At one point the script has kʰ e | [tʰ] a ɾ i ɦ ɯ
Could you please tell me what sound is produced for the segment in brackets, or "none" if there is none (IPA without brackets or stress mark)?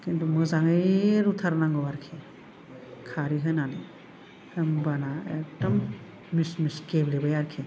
kʰ